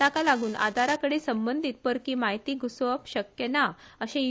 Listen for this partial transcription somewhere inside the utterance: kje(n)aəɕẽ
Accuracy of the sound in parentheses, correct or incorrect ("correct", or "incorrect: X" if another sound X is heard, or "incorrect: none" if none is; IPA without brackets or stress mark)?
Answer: correct